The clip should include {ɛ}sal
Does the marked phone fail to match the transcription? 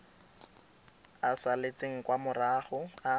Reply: yes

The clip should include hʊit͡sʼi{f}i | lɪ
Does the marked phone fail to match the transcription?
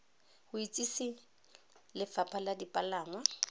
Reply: yes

